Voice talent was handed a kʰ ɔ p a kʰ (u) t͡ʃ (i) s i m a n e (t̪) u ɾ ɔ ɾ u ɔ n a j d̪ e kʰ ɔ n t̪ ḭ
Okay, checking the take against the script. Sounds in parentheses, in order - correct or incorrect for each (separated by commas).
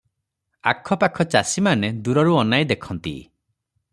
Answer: incorrect, incorrect, incorrect